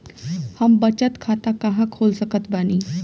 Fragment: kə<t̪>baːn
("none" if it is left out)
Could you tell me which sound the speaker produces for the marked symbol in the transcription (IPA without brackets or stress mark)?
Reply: t̪